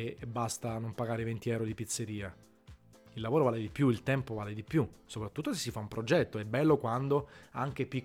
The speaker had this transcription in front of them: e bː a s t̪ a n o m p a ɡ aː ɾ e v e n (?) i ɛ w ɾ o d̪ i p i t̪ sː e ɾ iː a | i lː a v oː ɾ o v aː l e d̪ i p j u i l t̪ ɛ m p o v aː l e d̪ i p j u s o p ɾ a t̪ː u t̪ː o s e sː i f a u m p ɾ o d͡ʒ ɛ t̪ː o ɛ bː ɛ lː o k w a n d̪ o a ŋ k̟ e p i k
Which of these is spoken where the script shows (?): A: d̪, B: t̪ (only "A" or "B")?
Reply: B